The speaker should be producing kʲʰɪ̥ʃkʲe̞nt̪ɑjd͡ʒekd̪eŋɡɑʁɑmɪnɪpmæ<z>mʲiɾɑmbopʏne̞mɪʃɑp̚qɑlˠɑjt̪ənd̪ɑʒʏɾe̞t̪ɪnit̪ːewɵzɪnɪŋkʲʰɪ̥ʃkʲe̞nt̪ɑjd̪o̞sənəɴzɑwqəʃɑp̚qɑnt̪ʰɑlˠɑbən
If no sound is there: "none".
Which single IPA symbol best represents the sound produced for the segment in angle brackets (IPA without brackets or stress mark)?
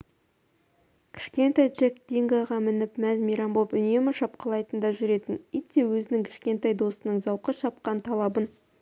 z